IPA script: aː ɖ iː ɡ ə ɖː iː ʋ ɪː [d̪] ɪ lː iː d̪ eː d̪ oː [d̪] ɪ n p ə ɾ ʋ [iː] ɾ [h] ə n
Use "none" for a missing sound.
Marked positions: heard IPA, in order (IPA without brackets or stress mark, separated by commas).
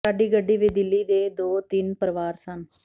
d̪, t̪, aː, s